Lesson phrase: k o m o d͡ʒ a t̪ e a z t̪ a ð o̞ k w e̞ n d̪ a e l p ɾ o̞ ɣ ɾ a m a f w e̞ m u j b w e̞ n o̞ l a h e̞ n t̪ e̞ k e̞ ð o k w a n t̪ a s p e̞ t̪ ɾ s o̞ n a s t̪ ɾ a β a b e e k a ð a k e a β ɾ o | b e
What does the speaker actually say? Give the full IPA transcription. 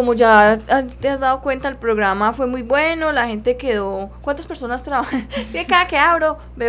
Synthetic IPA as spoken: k o m o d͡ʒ a t̪ e a z d̪ a ð o̞ k w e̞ n t̪ a e l p ɾ o̞ ɣ ɾ a m a f w e̞ m u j b w e̞ n o̞ l a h e̞ n t̪ e̞ k e̞ ð o k w a n t̪ a s p e̞ ɾ s o̞ n a s t̪ ɾ a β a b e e k a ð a k e a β ɾ o | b e